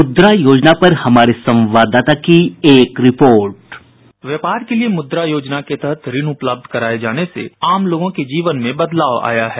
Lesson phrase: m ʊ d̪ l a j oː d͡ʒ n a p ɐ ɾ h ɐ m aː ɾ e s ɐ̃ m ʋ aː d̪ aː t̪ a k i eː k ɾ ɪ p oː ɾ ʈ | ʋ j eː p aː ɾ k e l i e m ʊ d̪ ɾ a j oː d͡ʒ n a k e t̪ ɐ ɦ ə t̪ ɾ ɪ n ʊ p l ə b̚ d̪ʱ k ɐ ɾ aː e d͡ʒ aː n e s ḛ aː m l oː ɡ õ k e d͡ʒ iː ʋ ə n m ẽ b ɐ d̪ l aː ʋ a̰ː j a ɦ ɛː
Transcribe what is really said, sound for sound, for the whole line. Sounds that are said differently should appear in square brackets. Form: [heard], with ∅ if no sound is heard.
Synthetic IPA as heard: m ʊ d̪ [ɾ] a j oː d͡ʒ n a p ɐ ɾ h ɐ m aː ɾ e s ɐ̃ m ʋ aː d̪ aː t̪ a k i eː k ɾ ɪ p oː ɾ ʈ | ʋ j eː p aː ɾ k e l i e m ʊ d̪ ɾ a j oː d͡ʒ n a k e t̪ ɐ ɦ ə t̪ ɾ ɪ n ʊ p l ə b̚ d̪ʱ k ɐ ɾ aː e d͡ʒ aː n e s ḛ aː m l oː ɡ õ k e d͡ʒ iː ʋ ə n m ẽ b ɐ d̪ l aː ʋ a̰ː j a ɦ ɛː